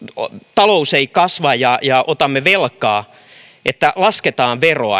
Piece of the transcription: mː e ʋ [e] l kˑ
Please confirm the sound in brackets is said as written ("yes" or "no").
yes